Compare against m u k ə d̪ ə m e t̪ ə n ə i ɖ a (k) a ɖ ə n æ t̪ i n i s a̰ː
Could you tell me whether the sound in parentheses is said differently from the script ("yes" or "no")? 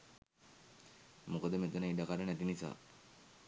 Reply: no